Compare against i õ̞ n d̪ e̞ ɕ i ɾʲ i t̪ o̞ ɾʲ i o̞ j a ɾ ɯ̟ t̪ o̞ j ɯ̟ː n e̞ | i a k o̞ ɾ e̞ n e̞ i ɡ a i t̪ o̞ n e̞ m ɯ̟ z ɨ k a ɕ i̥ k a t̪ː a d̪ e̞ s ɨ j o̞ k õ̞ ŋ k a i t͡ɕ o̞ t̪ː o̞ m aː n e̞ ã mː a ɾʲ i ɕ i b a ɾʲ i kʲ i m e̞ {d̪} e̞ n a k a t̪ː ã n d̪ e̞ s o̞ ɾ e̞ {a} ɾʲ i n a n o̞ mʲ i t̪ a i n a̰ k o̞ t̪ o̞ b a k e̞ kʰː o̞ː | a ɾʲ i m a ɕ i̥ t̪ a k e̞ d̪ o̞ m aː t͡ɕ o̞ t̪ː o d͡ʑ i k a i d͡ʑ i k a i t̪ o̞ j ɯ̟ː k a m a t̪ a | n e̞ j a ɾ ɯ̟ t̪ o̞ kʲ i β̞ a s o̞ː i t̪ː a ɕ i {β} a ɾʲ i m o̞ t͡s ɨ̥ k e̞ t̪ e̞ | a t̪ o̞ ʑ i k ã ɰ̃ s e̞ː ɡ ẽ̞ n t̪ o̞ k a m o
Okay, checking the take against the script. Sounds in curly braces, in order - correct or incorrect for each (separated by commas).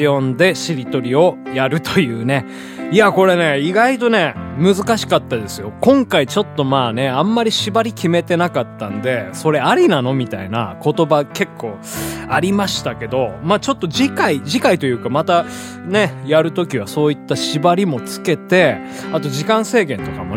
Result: incorrect, correct, incorrect